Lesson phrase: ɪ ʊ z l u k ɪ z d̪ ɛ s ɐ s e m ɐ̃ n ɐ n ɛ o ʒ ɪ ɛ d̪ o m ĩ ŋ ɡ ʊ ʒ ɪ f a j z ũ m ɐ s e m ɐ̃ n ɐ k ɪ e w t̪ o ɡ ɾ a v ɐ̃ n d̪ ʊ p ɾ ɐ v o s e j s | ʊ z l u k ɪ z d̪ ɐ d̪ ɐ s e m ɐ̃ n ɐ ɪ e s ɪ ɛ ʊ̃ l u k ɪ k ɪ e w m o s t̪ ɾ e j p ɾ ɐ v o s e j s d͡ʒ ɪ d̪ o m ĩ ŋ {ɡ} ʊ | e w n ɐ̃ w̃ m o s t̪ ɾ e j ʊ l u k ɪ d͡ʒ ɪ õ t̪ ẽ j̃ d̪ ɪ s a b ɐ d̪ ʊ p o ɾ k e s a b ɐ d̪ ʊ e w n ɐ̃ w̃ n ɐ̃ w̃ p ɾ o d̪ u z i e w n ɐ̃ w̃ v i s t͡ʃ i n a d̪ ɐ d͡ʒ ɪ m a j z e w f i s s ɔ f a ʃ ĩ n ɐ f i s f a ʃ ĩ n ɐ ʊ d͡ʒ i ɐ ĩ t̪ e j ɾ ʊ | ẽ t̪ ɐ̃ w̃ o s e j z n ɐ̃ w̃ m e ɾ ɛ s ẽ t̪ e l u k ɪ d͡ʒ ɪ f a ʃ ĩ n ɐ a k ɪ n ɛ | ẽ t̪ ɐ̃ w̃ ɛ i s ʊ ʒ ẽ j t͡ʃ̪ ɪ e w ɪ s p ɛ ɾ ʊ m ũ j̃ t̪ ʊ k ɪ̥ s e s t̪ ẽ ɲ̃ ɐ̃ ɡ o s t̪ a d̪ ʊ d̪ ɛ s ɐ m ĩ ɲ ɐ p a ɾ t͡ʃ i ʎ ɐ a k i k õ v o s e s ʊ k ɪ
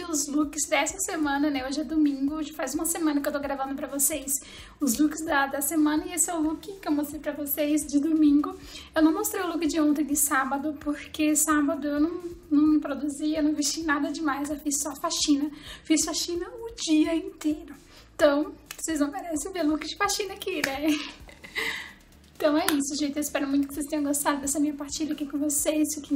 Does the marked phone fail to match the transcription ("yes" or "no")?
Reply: no